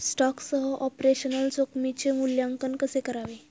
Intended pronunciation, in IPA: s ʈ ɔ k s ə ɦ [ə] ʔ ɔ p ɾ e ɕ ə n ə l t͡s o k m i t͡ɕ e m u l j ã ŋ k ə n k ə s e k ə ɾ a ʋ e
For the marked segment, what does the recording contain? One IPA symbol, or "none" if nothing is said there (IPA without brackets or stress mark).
ə